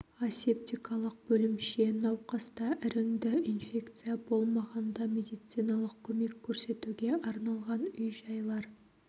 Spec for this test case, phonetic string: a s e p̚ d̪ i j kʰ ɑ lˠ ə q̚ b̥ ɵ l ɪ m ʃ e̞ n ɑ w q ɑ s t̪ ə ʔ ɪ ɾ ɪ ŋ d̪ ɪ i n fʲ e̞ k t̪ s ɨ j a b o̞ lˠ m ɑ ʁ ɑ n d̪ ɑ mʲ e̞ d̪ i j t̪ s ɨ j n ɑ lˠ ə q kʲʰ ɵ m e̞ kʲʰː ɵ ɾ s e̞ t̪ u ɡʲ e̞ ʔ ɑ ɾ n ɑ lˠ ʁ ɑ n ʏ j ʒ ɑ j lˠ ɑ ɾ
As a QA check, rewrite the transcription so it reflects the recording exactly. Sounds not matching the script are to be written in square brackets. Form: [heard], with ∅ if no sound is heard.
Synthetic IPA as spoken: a s e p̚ [t̪] i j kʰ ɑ lˠ ə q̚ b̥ ɵ l ɪ m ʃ e̞ n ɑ w q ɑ s t̪ [ɑ] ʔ ɪ ɾ ɪ ŋ d̪ ɪ i n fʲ e̞ k t̪ s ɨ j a b o̞ lˠ m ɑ ʁ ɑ n d̪ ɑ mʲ e̞ d̪ i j t̪ s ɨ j n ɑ lˠ ə q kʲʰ ɵ m e̞ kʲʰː ɵ ɾ s e̞ t̪ u ɡʲ e̞ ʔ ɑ ɾ n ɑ lˠ ʁ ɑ n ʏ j ʒ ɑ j lˠ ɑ ɾ

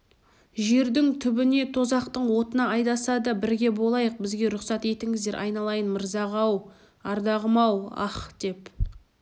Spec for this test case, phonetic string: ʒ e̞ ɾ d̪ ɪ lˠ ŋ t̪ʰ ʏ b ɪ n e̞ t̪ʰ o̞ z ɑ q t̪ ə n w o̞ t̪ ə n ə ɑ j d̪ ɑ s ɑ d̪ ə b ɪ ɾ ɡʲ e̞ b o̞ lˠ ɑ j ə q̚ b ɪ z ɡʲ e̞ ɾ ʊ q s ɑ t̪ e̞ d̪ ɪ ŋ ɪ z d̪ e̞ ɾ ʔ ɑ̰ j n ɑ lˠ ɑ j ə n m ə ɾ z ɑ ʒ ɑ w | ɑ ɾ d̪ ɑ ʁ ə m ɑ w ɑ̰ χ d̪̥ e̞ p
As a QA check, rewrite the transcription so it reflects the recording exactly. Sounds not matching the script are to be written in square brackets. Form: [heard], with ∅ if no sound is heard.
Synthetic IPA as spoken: ʒ e̞ ɾ d̪ ɪ [∅] ŋ t̪ʰ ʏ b ɪ n e̞ t̪ʰ o̞ z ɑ q t̪ ə [ɴ] w o̞ t̪ ə n [ɑ] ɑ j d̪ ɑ s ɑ d̪ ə b ɪ ɾ ɡʲ e̞ b o̞ lˠ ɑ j ə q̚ b ɪ z ɡʲ e̞ ɾ ʊ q s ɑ t̪ e̞ [t̪] ɪ ŋ ɪ z d̪ e̞ ɾ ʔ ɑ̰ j n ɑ lˠ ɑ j ə n m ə ɾ z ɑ [ʁ] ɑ w | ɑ ɾ d̪ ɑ ʁ ə m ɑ w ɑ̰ χ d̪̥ e̞ p

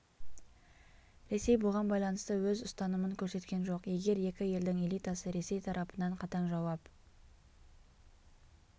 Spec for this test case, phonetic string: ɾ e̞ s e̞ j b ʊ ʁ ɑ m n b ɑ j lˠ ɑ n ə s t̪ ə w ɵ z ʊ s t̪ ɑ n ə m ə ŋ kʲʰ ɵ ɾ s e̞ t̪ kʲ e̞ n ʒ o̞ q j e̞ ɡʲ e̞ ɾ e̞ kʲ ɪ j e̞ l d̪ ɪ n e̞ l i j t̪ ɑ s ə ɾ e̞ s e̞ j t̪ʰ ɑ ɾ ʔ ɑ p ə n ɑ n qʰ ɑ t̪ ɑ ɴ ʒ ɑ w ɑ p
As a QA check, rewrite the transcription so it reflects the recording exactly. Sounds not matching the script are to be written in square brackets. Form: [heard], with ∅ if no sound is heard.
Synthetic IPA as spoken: ɾ e̞ s e̞ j b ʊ ʁ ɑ [∅] n b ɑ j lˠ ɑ n ə s t̪ ə w ɵ z ʊ s t̪ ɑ n ə m ə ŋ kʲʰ ɵ ɾ s e̞ t̪ kʲ e̞ n ʒ o̞ q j e̞ ɡʲ e̞ ɾ e̞ kʲ ɪ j e̞ l d̪ ɪ [ŋ] e̞ l i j t̪ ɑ s ə ɾ e̞ s e̞ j t̪ʰ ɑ ɾ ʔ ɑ p ə n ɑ [ɴ] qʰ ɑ t̪ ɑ ɴ ʒ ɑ w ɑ p

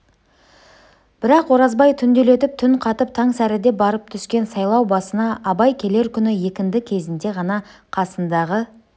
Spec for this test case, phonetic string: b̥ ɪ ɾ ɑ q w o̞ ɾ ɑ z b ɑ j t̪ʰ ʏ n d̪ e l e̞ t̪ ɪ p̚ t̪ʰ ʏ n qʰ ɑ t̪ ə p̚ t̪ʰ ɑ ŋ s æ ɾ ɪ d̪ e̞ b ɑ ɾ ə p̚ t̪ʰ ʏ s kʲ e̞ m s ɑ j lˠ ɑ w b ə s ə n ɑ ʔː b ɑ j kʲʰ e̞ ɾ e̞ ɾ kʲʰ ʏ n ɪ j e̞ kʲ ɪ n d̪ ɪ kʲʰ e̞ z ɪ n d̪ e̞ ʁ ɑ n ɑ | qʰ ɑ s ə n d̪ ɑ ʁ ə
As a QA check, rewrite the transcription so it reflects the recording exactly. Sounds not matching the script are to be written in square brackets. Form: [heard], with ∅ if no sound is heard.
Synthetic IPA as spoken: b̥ ɪ ɾ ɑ q w o̞ ɾ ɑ z b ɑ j t̪ʰ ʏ n d̪ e l e̞ t̪ ɪ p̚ t̪ʰ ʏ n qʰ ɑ t̪ ə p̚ t̪ʰ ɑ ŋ s æ ɾ ɪ d̪ e̞ b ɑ ɾ ə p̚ t̪ʰ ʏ s kʲ e̞ [n] s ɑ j lˠ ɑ w b [ɑ] s ə n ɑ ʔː b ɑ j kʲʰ e̞ [l] e̞ ɾ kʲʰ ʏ n ɪ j e̞ kʲ ɪ n d̪ ɪ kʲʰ e̞ z ɪ n d̪ e̞ ʁ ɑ n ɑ | qʰ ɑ s ə n d̪ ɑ ʁ ə

